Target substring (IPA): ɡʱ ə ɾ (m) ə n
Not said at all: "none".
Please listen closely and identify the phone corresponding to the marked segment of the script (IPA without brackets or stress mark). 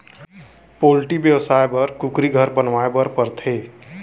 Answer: b